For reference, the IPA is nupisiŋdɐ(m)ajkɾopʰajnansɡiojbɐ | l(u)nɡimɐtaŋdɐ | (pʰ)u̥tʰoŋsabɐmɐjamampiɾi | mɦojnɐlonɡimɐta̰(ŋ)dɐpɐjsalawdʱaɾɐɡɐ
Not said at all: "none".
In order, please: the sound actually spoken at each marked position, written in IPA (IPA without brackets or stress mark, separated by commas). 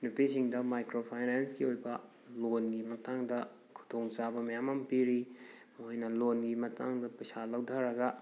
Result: m, o, kʰ, ŋ